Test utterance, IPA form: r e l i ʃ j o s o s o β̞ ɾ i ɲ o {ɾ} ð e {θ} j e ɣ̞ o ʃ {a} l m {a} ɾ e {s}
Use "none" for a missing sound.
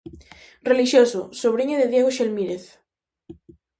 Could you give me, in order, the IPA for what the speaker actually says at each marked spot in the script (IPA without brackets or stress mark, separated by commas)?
none, ð, e, i, θ